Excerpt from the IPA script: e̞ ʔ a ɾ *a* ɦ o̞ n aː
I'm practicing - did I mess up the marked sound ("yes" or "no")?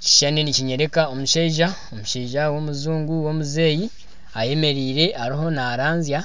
yes